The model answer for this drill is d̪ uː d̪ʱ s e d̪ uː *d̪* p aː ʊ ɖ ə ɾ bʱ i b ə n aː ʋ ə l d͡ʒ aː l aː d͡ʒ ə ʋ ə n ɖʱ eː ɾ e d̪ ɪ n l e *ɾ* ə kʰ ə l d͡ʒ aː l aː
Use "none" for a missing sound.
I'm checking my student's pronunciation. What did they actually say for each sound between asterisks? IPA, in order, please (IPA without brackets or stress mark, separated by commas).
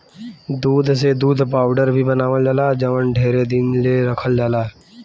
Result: d̪, ɾ